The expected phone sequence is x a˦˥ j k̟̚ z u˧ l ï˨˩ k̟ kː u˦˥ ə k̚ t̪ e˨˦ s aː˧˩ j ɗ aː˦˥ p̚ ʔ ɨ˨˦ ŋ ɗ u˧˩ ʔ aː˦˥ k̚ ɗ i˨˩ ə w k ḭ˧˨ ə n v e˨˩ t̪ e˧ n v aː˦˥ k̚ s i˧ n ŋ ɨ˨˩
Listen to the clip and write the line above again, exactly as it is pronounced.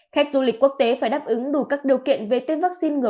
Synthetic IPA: x a˦˥ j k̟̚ z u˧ l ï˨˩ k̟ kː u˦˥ ə k̚ t̪ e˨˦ f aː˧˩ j ɗ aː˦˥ p̚ ʔ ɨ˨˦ ŋ ɗ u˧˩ k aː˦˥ k̚ ɗ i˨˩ ə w k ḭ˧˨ ə n v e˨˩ t̪ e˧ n v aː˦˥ k̚ s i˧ n ŋ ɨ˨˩